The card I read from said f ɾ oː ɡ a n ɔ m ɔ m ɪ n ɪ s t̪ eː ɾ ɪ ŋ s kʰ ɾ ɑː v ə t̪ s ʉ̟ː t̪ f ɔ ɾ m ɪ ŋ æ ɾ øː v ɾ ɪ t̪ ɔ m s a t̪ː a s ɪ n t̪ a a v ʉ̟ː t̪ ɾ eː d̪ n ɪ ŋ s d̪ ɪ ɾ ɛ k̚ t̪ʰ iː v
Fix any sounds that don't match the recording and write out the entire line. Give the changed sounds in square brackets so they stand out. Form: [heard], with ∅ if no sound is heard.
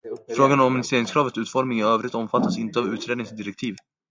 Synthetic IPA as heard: f ɾ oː ɡ a n ɔ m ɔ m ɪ n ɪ s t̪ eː ɾ ɪ ŋ s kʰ ɾ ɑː v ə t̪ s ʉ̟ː t̪ f ɔ ɾ m ɪ ŋ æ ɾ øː v ɾ ɪ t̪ ɔ m [f] a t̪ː a s ɪ n t̪ [ə] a v ʉ̟ː t̪ ɾ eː d̪ n ɪ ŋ s d̪ ɪ ɾ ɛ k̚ t̪ʰ iː v